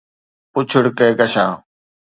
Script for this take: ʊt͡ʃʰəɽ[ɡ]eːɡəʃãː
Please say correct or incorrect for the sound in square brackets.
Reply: incorrect